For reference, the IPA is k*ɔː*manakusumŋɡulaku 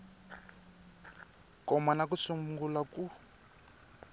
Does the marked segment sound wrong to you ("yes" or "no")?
yes